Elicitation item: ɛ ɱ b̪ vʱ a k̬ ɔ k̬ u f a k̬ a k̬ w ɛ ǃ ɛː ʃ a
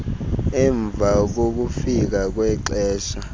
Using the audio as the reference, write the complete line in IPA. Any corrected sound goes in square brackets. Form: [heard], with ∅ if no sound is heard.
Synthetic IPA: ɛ ɱ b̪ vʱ a k̬ [o] k̬ u f [i] k̬ a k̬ w ɛ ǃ ɛː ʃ a